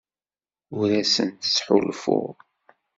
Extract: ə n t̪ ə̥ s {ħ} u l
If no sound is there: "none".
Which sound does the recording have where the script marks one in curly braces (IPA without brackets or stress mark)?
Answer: ħ